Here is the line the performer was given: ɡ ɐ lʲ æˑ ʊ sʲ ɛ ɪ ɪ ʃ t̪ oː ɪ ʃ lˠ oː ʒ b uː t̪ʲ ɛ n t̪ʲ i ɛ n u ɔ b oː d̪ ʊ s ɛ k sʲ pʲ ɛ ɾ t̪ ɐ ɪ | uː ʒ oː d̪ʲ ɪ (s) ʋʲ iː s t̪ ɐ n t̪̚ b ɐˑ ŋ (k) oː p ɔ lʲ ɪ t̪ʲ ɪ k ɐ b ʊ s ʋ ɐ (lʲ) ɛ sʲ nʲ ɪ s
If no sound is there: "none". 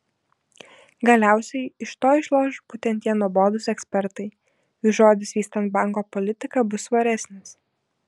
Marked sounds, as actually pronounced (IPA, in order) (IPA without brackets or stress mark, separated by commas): s, k, ɾʲ